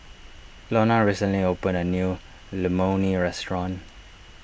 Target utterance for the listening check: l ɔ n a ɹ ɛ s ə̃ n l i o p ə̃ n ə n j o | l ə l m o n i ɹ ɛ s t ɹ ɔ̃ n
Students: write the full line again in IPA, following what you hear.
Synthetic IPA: l ɔ n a ɹ i s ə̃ n l i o p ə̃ n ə n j u | l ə m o n i ɹ ɛ s t ɹ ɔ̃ n